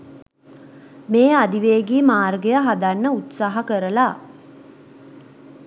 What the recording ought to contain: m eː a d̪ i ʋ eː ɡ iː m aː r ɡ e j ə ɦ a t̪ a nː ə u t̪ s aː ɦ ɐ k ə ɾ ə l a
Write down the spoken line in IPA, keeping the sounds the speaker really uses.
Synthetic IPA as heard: m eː a d̪ i ʋ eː ɡ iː m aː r ɡ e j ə ɦ a d̪ a nː ə u t̪ s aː ɦ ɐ k ə ɾ ə l a